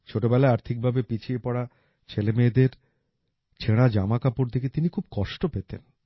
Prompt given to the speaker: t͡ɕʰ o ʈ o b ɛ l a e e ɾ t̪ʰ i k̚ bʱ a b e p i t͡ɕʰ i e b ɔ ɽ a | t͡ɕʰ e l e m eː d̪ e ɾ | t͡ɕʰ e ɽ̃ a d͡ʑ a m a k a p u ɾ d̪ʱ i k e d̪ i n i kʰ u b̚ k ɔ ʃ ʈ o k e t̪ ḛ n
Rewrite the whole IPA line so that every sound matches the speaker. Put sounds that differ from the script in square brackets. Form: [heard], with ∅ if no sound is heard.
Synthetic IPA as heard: t͡ɕʰ o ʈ o b ɛ l a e [a] ɾ t̪ʰ i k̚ bʱ a b e p i t͡ɕʰ i e [p] ɔ ɽ a | t͡ɕʰ e l e m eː d̪ e ɾ | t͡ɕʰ e ɽ̃ a d͡ʑ a m a k a p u ɾ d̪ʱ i k e [t̪] i n i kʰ u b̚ k ɔ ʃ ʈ o [p] e t̪ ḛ n